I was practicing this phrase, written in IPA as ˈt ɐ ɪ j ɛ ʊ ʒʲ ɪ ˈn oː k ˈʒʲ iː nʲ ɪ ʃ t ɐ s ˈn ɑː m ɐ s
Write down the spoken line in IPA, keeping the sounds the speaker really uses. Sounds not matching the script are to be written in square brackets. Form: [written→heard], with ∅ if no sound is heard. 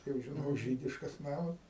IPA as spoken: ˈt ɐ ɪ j ɛ ʊ ʒʲ ɪ ˈn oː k ˈʒʲ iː [nʲ→dʲ] ɪ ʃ [t→k] ɐ s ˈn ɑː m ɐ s